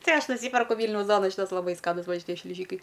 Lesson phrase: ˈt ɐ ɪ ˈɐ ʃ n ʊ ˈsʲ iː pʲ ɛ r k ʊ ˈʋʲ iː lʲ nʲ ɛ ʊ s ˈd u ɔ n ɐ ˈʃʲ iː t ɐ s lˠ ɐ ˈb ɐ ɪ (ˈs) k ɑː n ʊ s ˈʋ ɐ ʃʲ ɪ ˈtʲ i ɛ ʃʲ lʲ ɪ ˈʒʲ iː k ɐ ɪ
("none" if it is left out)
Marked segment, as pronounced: s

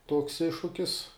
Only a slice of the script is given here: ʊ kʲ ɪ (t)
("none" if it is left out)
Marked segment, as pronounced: s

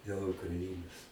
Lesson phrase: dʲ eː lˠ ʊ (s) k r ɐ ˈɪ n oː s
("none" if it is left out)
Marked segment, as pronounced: none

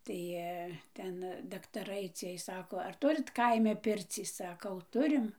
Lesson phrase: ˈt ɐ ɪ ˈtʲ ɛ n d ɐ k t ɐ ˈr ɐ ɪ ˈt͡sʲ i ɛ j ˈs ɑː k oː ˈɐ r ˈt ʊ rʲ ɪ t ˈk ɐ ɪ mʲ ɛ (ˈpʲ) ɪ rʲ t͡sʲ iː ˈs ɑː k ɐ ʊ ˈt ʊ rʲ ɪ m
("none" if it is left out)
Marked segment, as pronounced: pʲ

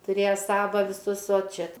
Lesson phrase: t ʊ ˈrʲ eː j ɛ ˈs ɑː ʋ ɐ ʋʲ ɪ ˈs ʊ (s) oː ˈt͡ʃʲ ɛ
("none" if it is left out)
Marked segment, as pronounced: s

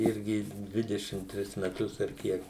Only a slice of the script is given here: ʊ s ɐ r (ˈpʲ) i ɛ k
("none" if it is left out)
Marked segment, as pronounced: kʲ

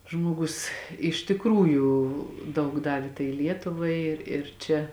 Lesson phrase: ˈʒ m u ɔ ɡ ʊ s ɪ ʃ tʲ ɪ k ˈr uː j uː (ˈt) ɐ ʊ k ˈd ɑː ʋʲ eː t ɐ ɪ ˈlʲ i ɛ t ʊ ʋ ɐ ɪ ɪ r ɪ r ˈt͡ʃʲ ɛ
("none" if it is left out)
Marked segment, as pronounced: d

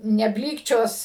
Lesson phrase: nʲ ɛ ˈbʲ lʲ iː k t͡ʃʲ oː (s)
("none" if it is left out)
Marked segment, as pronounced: s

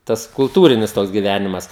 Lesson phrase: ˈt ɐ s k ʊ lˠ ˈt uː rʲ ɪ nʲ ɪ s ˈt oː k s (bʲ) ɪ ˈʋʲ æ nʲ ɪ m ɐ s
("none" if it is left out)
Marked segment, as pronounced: ɡʲ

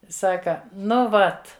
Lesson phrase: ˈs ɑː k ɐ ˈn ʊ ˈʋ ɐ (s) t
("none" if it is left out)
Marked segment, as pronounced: none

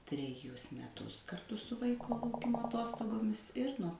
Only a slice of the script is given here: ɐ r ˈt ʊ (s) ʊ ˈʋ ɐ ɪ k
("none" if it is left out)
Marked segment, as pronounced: s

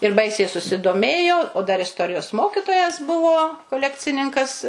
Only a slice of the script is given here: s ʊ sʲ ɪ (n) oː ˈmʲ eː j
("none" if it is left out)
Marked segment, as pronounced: d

